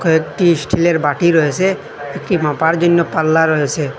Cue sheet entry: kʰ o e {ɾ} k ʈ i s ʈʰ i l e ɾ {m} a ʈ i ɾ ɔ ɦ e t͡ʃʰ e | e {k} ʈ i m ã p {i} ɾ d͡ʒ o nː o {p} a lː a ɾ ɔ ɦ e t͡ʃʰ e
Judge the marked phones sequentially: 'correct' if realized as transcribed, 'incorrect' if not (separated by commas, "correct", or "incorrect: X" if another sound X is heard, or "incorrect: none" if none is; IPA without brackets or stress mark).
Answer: incorrect: none, incorrect: b, correct, incorrect: a, correct